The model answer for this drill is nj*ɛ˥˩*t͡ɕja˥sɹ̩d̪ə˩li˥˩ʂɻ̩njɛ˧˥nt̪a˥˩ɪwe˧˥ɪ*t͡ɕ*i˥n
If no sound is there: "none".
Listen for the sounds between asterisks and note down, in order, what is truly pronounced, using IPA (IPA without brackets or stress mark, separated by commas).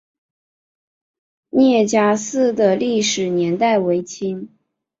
ɛ˥˩, t͡ɕʰ